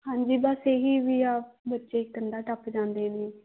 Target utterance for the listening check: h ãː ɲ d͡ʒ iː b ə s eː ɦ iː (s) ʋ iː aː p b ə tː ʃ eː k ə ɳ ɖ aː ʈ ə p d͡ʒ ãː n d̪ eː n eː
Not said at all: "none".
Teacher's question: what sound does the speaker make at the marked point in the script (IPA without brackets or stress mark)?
none